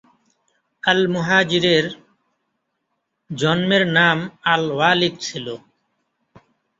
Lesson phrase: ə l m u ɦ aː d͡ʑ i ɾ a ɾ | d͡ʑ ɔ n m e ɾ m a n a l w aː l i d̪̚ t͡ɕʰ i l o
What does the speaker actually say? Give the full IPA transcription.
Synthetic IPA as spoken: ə l m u ɦ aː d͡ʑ i ɾ e ɾ | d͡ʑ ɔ n m e ɾ n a m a l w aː l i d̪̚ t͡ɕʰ i l o